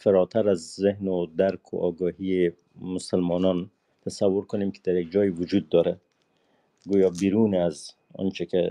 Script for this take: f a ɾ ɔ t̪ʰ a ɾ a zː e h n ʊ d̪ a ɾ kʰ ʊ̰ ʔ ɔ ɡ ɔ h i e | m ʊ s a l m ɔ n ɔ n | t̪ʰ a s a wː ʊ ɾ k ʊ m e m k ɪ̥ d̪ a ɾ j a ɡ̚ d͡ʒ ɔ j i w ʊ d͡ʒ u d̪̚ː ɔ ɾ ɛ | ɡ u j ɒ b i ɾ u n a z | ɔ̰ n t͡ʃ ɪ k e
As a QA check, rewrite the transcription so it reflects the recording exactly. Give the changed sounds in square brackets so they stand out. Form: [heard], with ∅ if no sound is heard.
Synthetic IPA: f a ɾ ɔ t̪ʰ a ɾ a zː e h n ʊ d̪ a ɾ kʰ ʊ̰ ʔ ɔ ɡ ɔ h i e | m ʊ s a l m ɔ n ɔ n | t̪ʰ a s a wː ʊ ɾ k ʊ [n] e m k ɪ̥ d̪ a ɾ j a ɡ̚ d͡ʒ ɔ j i w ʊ d͡ʒ u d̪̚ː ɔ ɾ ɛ | ɡ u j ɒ b i ɾ u n a z | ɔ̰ n t͡ʃ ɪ k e

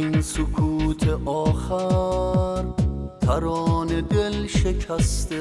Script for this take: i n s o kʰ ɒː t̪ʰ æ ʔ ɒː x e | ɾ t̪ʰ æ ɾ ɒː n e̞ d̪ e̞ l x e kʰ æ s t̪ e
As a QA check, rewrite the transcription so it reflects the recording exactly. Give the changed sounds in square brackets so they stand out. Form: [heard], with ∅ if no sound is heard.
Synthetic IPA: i n s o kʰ [uː] t̪ʰ [e] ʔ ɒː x [æ] | ɾ t̪ʰ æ ɾ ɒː n e̞ d̪ e̞ l [ʃ] e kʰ æ s t̪ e

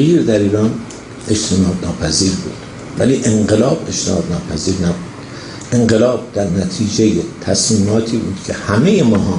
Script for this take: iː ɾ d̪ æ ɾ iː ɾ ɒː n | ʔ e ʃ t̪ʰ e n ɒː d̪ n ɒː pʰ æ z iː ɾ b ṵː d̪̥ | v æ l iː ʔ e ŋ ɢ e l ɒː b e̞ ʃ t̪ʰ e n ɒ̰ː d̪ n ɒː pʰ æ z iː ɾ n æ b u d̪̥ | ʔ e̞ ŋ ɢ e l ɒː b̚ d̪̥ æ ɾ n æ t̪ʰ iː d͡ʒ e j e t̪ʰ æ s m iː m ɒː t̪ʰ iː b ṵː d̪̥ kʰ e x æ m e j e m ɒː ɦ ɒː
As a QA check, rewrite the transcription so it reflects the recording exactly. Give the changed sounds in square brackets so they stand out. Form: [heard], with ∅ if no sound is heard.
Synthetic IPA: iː ɾ d̪ æ ɾ iː ɾ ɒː n | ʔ e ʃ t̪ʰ e n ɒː d̪ n ɒː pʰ æ z iː ɾ b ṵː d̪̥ | v æ l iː ʔ e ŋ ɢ e l ɒː b e̞ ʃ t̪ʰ e n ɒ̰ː d̪ n ɒː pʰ æ z iː ɾ n æ b u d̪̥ | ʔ e̞ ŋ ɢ e l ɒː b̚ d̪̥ æ ɾ n æ t̪ʰ iː d͡ʒ e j e t̪ʰ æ s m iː m ɒː t̪ʰ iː b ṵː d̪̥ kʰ e [h] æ m e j e m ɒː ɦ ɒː

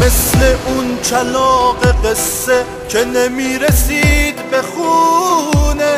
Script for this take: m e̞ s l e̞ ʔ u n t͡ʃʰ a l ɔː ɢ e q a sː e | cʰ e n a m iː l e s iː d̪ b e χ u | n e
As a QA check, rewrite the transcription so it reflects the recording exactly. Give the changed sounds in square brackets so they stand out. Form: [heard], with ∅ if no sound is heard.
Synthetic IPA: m e̞ s l e̞ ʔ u n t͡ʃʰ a l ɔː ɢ e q [e] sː e | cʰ e n [e] m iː [ɾ] e s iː d̪ b e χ u | n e

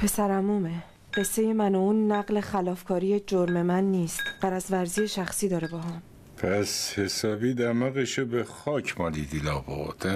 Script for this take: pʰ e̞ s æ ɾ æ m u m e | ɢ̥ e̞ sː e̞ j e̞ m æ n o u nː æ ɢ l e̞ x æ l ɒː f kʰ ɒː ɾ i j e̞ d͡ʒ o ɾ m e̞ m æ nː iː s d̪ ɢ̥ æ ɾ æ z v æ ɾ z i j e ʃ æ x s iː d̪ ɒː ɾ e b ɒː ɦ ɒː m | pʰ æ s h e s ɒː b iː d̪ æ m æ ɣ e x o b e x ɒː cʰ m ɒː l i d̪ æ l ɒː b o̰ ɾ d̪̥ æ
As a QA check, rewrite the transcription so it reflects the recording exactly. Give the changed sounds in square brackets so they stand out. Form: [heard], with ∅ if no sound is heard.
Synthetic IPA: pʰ e̞ s æ ɾ æ m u m e | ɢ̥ e̞ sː e̞ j e̞ m æ n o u nː æ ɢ l e̞ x æ l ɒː f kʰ ɒː ɾ i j e̞ d͡ʒ o ɾ m e̞ m æ nː iː s [t̪] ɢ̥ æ ɾ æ z v æ ɾ z i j e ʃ æ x s iː d̪ ɒː ɾ e b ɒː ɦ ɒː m | pʰ æ s h e s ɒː b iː d̪ æ m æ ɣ e [ʃ] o b e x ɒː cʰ m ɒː l i d̪ [i] l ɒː b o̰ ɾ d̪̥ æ

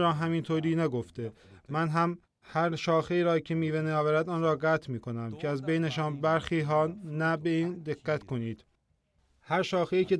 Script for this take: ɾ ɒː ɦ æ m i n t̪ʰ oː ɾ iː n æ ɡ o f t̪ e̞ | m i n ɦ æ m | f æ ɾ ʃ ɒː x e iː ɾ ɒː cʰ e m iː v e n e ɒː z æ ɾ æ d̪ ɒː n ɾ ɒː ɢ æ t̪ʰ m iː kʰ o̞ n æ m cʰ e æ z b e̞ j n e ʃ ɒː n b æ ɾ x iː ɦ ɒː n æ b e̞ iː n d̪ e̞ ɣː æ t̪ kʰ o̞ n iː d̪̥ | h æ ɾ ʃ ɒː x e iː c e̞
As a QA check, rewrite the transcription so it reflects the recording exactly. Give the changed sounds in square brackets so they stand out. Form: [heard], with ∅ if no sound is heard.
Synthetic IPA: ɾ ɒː ɦ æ m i n t̪ʰ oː ɾ iː n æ ɡ o f t̪ e̞ | m [æ] n ɦ æ m | [h] æ ɾ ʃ ɒː x e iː ɾ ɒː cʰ e m iː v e n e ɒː [v] æ ɾ æ d̪ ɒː n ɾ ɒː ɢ æ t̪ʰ m iː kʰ o̞ n æ m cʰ e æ z b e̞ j n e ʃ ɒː n b æ ɾ x iː ɦ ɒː n æ b e̞ iː n d̪ e̞ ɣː æ t̪ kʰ o̞ n iː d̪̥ | h æ ɾ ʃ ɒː x e iː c e̞

